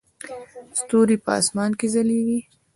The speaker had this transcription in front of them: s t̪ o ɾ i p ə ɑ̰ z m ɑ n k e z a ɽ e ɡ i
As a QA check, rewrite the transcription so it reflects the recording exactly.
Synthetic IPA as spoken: s t̪ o ɾ i p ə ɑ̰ s m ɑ n k e z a l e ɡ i